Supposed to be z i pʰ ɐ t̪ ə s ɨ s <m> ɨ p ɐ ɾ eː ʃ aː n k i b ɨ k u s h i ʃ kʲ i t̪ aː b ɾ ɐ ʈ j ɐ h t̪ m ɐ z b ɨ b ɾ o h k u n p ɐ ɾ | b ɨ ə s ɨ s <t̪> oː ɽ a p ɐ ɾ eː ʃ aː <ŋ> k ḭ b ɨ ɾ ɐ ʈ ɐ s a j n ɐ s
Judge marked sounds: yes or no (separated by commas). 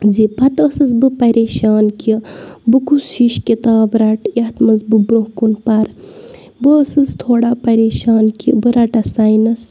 no, no, no